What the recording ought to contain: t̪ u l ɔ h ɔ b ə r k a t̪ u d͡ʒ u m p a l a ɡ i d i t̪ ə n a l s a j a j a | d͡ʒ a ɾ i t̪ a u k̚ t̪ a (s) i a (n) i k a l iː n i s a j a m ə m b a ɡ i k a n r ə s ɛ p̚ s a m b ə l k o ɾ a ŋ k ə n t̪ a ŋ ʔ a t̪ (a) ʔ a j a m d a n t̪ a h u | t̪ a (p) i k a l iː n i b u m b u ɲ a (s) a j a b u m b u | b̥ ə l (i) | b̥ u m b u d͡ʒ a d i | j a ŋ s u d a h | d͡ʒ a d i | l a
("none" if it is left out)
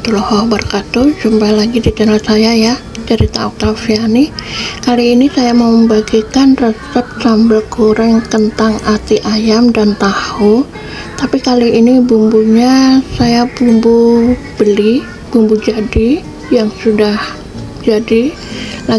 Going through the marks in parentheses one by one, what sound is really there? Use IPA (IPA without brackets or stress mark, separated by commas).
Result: f, n, i, p, s, i